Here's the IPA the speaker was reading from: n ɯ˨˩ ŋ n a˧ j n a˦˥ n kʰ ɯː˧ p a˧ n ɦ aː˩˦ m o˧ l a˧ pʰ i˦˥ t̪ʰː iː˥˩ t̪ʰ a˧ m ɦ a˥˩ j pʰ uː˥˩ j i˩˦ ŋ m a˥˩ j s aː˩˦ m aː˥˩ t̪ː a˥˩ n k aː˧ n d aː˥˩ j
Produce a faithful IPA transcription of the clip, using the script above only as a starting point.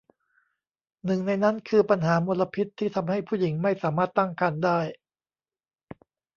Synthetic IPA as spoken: n ɯ˨˩ ŋ n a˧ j n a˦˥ n kʰ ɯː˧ p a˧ n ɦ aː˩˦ m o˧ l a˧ pʰ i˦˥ t̪ʰː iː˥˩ t̪ʰ a˧ m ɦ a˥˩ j pʰ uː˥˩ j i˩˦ ŋ m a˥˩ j s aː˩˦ m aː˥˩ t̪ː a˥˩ ŋ k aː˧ n d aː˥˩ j